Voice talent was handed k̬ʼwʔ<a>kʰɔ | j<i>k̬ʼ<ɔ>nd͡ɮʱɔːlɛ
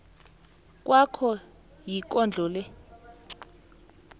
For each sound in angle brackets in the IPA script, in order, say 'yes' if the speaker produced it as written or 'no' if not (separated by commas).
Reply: yes, yes, yes